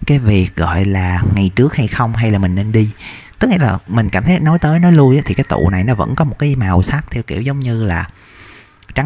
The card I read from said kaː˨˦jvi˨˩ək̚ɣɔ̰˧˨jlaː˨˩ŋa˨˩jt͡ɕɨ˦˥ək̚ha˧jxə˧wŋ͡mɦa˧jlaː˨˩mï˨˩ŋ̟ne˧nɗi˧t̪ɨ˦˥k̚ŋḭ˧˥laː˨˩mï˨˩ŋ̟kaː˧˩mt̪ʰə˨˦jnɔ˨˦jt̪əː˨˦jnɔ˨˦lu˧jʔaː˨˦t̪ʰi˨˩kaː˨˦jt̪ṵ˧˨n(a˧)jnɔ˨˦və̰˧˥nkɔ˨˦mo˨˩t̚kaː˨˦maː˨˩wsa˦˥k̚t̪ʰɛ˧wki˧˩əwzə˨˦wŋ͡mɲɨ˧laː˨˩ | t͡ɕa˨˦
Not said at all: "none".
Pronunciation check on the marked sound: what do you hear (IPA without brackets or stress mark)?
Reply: a˨˩